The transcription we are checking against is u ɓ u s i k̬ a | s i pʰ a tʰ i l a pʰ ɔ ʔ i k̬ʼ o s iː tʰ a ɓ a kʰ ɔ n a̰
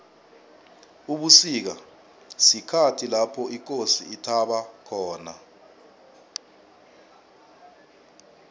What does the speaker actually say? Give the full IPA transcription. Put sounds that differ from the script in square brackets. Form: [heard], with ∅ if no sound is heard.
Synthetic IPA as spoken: u ɓ u s i k̬ a | s i [kʰ] a tʰ i l a pʰ ɔ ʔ i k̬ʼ o s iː tʰ a ɓ a kʰ [ɔː] n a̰

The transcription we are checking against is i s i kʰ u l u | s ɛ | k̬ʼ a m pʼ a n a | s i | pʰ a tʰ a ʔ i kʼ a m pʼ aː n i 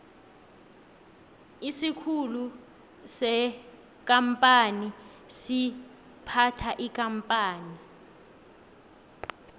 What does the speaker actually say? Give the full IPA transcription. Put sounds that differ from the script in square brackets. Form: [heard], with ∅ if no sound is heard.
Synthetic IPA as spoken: i s i kʰ u l u | s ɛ | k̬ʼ a m pʼ a n [i] | s i | pʰ a tʰ a ʔ i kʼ a m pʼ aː n i

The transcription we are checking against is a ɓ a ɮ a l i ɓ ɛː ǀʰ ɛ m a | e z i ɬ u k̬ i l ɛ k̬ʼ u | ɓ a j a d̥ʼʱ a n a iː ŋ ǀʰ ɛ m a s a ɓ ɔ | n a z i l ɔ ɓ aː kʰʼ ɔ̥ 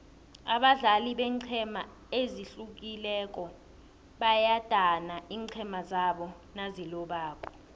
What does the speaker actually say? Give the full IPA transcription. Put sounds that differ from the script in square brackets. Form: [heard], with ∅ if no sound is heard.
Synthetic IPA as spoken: a ɓ a ɮ a l i ɓ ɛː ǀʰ ɛ m a | e z i ɬ u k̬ i l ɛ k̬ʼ [ɔ] | ɓ a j a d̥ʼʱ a n a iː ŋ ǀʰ ɛ m a [z] a ɓ ɔ | n a z i l ɔ ɓ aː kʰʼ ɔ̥

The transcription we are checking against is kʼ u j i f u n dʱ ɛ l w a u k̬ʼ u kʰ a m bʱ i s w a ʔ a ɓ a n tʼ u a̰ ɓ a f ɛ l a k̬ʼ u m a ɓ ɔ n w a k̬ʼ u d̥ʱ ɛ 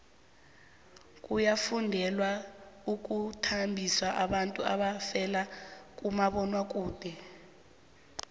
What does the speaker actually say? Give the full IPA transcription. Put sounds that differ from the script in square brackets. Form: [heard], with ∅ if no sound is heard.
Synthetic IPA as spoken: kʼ u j [a] f u n dʱ ɛ l w a u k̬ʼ u [tʰ] a m bʱ i s w a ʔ a ɓ a n tʼ u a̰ ɓ a f ɛ l a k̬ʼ u m a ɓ ɔ n w a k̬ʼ [uː] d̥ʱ ɛ

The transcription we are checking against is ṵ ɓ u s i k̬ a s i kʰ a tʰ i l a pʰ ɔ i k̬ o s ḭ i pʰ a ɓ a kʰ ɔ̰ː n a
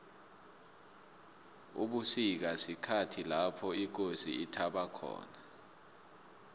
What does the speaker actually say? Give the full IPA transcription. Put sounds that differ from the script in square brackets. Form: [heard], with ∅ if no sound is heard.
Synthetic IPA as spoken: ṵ ɓ u s i k̬ a s i kʰ a tʰ i l a pʰ ɔ i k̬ o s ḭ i [tʰ] a ɓ a kʰ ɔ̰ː n a

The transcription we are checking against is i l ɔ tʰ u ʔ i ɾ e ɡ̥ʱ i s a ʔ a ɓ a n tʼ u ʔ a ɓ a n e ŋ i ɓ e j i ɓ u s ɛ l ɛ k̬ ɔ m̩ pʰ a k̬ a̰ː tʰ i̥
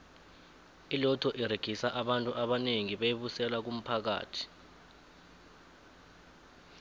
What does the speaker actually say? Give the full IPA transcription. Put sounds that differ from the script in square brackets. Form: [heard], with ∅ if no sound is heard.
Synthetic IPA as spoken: i l ɔ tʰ [ɔ] ʔ i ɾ e ɡ̥ʱ i s a ʔ a ɓ a n tʼ u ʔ a ɓ a n e ŋ i ɓ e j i ɓ u s ɛ l [a] k̬ [u] m̩ pʰ a k̬ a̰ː tʰ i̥

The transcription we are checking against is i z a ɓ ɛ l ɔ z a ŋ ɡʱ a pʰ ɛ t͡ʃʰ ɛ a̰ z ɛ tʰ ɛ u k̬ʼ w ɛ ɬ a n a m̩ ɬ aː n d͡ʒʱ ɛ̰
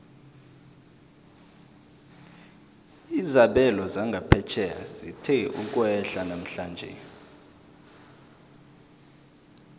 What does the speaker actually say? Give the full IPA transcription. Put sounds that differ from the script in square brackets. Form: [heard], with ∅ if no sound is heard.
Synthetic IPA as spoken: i z a ɓ ɛ l ɔ z a ŋ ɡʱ a pʰ ɛ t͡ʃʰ ɛ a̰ z [i] tʰ ɛ u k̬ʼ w ɛ ɬ a n a m̩ ɬ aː n d͡ʒʱ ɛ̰

